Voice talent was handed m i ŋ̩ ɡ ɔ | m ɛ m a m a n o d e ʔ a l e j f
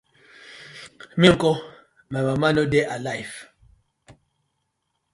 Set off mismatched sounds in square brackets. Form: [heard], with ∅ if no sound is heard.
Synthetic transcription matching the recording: m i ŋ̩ [k] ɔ | m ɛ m a m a n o d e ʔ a l [a] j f

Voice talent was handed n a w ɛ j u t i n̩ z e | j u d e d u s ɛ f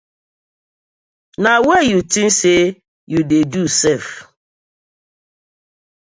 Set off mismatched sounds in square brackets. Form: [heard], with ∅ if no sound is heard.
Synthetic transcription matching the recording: n a w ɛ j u t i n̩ [s] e | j u d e d u s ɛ f

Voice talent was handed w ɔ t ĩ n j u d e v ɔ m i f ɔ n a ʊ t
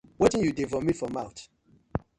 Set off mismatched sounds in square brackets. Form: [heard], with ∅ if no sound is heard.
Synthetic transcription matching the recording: w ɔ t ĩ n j u d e v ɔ m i f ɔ [m] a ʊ t

